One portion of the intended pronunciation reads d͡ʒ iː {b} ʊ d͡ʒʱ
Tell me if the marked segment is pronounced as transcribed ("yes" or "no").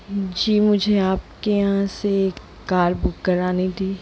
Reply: no